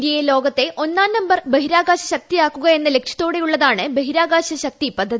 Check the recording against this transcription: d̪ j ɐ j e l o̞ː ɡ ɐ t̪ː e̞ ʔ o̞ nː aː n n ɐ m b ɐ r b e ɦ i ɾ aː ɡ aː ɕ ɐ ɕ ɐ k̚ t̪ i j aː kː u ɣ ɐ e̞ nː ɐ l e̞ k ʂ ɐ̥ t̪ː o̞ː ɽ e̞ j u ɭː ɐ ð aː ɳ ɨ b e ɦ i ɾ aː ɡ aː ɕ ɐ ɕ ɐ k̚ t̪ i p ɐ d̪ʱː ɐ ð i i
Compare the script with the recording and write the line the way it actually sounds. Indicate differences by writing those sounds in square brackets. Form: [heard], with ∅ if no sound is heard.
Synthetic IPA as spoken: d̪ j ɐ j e l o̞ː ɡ ɐ t̪ː e̞ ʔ o̞ nː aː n n ɐ m b ɐ r b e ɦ i ɾ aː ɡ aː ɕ ɐ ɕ ɐ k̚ t̪ i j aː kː u ɣ ɐ e̞ nː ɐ l e̞ k ʂ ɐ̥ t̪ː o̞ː ɽ e̞ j u ɭː ɐ ð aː ɳ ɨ b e ɦ i ɾ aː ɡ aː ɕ ɐ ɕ ɐ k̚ t̪ i p ɐ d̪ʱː ɐ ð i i